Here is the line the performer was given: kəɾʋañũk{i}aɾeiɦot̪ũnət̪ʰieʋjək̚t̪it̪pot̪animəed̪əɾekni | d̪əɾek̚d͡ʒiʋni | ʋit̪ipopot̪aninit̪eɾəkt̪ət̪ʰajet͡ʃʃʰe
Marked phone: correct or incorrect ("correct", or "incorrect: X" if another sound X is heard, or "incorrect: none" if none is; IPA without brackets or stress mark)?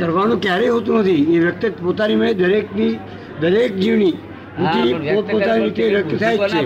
incorrect: j